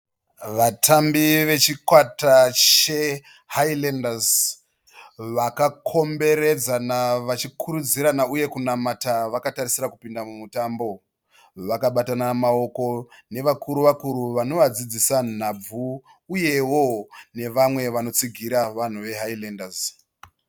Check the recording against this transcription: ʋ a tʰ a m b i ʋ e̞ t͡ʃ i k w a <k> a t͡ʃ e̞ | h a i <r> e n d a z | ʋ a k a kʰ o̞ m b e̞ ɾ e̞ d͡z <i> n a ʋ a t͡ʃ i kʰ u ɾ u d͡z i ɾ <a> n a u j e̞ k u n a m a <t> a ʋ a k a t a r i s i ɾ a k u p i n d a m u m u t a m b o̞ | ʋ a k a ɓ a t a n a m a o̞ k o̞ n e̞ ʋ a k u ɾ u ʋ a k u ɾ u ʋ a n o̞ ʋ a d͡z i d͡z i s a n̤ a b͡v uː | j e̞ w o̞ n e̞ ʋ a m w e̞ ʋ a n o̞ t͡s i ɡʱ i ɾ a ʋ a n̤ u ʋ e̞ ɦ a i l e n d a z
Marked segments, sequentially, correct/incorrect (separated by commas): incorrect, incorrect, incorrect, correct, correct